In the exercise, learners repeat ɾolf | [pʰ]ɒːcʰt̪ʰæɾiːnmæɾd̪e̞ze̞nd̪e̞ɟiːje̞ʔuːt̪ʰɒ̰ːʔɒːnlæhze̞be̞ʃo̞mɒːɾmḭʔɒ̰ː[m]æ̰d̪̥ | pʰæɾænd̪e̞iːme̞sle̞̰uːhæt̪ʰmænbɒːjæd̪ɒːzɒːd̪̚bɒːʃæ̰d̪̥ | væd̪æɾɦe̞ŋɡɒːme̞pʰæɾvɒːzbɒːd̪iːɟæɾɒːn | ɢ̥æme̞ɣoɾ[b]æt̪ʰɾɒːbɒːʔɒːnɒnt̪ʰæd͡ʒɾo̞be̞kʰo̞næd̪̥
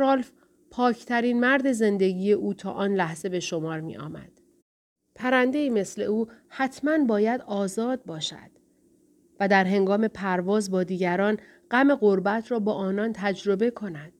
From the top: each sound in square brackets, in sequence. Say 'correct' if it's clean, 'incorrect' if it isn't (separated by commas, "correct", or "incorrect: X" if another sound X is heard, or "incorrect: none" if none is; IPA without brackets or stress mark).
correct, correct, correct